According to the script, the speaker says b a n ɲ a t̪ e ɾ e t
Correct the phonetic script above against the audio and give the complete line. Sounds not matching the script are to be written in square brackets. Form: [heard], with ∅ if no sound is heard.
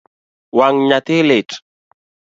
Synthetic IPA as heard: [w] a [ŋ] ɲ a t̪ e [l] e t